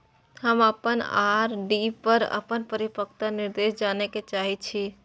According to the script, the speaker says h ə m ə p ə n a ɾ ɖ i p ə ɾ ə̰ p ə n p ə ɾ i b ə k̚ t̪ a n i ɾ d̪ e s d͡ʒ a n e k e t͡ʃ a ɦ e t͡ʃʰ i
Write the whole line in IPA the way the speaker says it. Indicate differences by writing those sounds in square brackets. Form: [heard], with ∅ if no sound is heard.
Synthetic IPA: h ə m ə p ə n a ɾ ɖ i p ə ɾ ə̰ p ə n p ə ɾ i [p] ə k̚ t̪ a n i ɾ d̪ e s d͡ʒ a n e k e t͡ʃ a ɦ [i] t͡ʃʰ i